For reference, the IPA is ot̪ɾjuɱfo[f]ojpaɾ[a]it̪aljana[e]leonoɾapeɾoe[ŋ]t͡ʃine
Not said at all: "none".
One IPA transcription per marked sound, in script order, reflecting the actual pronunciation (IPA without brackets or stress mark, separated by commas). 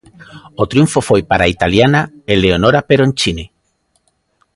f, a, e, n